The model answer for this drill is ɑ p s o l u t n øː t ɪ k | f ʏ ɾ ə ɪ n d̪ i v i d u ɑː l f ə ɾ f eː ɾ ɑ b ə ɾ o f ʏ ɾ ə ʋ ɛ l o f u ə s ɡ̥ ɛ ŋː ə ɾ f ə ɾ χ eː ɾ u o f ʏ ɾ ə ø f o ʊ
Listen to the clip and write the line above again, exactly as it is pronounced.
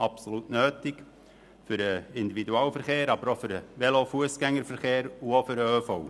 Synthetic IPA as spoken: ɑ p s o l u t n øː t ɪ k | f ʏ ɾ ə ɪ n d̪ i v i d u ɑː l f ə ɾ χ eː ɾ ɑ b ə ɾ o f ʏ ɾ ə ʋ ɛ l o f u ə s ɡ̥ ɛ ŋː ə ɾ f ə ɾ χ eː ɾ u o f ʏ ɾ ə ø f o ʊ